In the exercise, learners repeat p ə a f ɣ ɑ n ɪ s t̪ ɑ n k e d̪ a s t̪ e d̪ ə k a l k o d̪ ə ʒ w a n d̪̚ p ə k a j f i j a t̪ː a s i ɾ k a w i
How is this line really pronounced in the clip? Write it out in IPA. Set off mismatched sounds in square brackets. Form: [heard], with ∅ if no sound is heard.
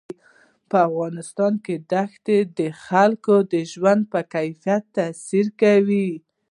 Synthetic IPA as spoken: p ə a f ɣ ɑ n ɪ s t̪ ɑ n k e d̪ a [x] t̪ e d̪ ə [x] a l k o d̪ ə ʒ w a n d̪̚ p ə k a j f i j a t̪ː a s i ɾ k a w i